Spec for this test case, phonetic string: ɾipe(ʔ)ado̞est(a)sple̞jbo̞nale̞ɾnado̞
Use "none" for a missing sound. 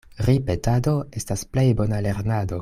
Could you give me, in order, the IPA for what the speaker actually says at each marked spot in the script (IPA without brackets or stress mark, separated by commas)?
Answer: t, a